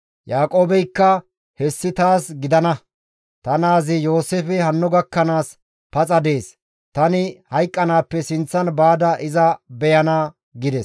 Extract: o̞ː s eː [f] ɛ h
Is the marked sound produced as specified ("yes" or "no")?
yes